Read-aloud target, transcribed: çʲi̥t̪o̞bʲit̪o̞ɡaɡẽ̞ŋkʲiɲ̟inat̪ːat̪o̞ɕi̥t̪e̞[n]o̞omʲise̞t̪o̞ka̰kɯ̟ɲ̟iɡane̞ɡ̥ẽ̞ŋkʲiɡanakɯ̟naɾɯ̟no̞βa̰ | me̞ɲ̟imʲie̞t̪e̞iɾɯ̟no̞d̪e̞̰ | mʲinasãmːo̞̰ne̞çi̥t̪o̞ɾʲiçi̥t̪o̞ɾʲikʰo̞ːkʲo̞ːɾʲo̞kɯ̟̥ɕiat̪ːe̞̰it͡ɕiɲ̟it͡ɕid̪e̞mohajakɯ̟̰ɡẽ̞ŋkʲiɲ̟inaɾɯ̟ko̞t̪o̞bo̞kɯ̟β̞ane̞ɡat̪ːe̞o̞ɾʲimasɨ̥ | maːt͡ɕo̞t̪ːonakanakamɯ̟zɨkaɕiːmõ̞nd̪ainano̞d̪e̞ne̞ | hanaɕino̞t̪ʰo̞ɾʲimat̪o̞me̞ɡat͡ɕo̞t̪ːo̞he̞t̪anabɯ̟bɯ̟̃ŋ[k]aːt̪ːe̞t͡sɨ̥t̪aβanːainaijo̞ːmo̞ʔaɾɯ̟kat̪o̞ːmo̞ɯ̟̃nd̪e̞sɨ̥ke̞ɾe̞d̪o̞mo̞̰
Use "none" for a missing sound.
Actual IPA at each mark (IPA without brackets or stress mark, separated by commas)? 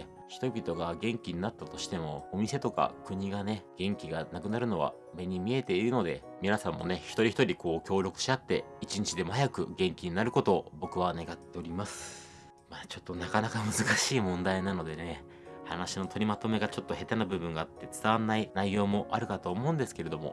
m, ɡ